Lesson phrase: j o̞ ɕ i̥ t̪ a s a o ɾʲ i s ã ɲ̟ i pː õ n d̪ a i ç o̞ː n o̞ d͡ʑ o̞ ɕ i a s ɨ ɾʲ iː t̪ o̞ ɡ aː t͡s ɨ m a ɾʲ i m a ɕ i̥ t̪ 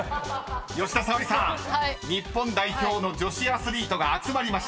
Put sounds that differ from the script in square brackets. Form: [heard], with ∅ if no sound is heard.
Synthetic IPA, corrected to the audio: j o̞ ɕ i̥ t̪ a s a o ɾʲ i s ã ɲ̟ i pː õ n d̪ a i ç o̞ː n o̞ d͡ʑ o̞ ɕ i a s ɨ ɾʲ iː t̪ o̞ ɡ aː t͡s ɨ m a ɾʲ i m a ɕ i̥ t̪